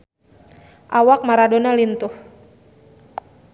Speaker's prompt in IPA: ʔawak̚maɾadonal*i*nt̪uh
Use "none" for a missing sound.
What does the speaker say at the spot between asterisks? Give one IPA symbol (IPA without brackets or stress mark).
i